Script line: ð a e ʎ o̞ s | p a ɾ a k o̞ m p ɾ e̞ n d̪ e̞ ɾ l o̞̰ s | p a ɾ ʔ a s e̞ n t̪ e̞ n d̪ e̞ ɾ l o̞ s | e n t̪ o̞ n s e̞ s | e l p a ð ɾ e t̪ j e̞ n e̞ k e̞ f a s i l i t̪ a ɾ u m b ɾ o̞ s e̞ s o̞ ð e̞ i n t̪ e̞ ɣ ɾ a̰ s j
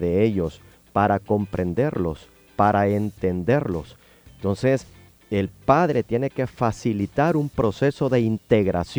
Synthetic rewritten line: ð e e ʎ o̞ s | p a ɾ a k o̞ m p ɾ e̞ n d̪ e̞ ɾ l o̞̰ s | p a ɾ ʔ a e̞ n t̪ e̞ n d̪ e̞ ɾ l o̞ s | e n t̪ o̞ n s e̞ s | e l p a ð ɾ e t̪ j e̞ n e̞ k e̞ f a s i l i t̪ a ɾ u m p ɾ o̞ s e̞ s o̞ ð e̞ i n t̪ e̞ ɣ ɾ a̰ s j